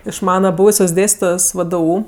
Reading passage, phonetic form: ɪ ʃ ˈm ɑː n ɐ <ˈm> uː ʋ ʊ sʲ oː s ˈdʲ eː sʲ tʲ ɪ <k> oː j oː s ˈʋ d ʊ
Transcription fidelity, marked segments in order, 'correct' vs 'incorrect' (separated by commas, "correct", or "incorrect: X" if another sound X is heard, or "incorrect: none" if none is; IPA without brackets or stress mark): incorrect: b, incorrect: t